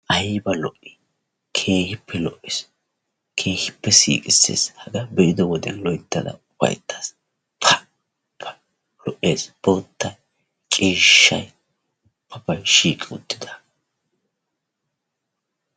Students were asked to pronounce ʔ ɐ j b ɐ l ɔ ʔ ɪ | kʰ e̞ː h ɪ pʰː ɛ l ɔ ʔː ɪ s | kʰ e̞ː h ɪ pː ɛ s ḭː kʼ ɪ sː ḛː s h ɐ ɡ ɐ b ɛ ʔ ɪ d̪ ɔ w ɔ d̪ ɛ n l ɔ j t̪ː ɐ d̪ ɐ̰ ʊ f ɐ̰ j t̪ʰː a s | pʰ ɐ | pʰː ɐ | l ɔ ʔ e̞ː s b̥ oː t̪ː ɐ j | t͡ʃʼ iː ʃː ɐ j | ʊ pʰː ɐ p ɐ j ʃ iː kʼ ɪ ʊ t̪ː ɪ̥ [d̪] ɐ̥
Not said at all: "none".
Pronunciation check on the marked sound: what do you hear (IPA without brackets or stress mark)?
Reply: d̪